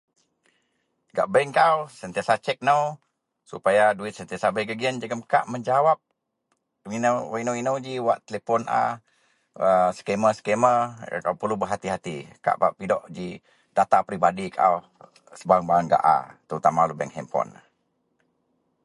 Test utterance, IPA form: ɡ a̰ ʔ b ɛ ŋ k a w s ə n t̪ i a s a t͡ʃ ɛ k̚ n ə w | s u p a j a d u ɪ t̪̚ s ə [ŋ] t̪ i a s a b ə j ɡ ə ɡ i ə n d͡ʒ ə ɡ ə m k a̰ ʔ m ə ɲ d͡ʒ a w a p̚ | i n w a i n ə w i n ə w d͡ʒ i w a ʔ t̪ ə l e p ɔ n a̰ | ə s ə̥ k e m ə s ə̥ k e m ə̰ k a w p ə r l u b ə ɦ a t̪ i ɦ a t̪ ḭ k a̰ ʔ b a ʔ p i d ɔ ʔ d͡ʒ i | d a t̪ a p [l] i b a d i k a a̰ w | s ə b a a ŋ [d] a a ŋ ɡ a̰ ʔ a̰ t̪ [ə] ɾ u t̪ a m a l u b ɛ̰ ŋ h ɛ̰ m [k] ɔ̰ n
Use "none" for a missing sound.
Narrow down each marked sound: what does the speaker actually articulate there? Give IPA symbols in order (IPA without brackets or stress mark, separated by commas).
n, ɾ, b, ə, p